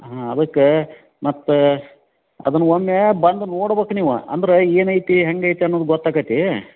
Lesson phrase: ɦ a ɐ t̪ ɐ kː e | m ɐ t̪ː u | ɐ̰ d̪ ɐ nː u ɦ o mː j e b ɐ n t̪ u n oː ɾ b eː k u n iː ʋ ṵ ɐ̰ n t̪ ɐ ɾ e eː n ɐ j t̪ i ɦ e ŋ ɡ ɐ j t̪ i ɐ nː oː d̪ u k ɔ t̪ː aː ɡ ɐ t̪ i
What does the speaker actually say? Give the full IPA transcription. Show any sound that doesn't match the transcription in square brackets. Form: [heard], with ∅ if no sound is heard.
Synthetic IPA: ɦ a ɐ [d̪] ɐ kː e | m ɐ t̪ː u | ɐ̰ d̪ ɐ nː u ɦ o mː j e b ɐ n [d̪] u n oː [ɽ] b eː k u n iː ʋ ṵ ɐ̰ n [d̪] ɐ ɾ e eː n ɐ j t̪ i ɦ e ŋ ɡ ɐ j t̪ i ɐ nː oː d̪ u [ɡ] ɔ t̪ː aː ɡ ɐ t̪ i